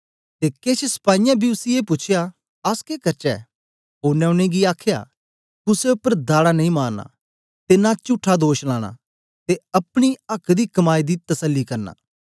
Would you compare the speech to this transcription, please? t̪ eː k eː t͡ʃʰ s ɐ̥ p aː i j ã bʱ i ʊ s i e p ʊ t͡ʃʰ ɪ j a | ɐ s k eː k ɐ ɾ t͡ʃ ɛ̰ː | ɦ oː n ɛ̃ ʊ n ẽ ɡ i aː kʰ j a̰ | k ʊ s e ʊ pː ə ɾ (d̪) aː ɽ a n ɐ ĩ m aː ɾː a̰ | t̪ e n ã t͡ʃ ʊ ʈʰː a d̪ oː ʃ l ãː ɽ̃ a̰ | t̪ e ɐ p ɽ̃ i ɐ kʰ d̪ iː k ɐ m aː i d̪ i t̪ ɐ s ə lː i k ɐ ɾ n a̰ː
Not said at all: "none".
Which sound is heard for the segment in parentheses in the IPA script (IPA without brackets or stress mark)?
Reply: d̪